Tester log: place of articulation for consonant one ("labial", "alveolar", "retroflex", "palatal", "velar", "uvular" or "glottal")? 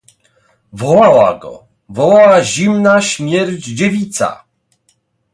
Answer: labial